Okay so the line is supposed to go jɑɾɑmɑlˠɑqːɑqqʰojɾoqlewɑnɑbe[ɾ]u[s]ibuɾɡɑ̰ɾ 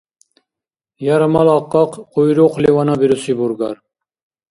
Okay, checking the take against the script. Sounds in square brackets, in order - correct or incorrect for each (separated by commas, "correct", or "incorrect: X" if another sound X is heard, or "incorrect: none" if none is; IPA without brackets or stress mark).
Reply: correct, correct